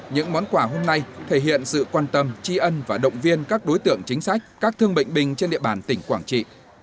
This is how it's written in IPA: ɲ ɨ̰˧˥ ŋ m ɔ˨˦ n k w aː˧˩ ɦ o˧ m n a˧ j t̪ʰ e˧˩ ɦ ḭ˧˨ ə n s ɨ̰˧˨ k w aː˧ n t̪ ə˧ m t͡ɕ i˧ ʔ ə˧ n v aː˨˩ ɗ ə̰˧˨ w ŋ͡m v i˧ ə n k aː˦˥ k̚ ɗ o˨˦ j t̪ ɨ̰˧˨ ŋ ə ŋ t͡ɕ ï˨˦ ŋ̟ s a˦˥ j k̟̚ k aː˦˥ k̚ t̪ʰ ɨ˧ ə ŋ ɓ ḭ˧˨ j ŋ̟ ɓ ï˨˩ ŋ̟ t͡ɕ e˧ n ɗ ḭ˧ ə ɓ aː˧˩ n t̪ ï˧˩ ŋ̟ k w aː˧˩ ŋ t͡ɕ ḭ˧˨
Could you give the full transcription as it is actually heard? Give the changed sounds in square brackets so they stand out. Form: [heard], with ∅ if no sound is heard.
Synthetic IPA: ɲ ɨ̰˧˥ ŋ m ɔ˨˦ n k w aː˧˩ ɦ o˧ m n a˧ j t̪ʰ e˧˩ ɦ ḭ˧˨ ə n s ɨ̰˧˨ k w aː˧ n t̪ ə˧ m t͡ɕ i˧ ʔ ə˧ n v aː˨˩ ɗ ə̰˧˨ w ŋ͡m v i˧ ə n k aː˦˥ k̚ ɗ o˨˦ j t̪ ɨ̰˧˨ [∅] ə ŋ t͡ɕ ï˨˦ ŋ̟ s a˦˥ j k̟̚ k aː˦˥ k̚ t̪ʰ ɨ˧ ə ŋ ɓ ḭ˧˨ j ŋ̟ ɓ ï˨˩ ŋ̟ t͡ɕ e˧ n ɗ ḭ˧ ə ɓ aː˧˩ n t̪ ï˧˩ ŋ̟ k w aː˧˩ ŋ t͡ɕ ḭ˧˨